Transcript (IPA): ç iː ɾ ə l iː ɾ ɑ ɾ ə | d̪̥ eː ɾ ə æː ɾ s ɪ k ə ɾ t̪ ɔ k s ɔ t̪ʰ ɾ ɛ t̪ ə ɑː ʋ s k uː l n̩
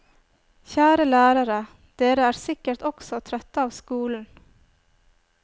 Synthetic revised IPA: ç æː ɾ ə l æː ɾ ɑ ɾ ə | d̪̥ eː ɾ ə æː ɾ s ɪ k ə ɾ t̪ ɔ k s ɔ t̪ʰ ɾ œ t̪ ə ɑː ʋ s k uː l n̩